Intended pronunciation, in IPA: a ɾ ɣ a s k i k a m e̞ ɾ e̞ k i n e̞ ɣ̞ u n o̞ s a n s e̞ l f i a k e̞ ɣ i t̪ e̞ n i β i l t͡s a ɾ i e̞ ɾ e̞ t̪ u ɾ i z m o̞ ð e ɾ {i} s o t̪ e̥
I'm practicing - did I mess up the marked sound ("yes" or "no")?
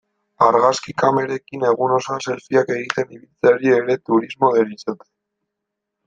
no